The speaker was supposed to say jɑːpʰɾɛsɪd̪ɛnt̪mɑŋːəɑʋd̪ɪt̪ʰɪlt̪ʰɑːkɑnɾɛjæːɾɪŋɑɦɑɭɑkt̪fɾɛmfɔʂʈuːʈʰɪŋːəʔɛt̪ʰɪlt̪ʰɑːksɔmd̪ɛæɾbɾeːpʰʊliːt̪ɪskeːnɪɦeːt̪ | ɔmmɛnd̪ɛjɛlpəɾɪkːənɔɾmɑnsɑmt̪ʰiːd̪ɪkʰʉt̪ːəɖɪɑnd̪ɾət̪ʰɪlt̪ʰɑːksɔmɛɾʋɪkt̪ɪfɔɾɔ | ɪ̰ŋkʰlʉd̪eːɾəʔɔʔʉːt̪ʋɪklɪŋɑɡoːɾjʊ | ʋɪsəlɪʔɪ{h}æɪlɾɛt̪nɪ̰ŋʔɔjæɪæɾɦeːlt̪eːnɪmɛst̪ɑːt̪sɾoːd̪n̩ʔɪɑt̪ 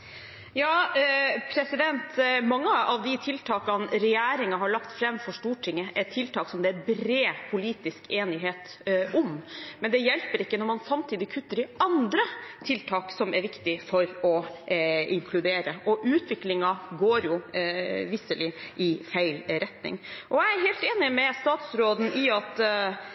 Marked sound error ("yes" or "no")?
yes